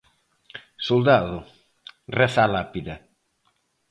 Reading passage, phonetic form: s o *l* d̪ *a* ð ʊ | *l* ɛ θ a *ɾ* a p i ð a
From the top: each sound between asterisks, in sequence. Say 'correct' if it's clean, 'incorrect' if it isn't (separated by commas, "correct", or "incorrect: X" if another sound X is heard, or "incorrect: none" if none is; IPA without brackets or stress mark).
correct, correct, incorrect: r, incorrect: l